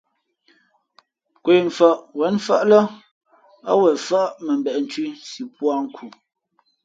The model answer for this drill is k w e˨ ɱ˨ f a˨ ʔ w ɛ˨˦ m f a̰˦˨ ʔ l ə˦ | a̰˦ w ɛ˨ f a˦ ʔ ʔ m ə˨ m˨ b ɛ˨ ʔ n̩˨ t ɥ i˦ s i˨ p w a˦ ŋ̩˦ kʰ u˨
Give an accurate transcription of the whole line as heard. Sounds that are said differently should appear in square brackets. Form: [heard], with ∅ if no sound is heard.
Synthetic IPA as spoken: k w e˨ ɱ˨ f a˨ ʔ w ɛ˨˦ [n] f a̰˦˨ ʔ l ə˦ | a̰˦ w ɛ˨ f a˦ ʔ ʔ m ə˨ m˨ b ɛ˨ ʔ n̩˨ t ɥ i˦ s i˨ p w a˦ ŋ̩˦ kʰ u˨